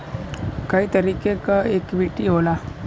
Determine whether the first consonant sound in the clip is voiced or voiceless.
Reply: voiceless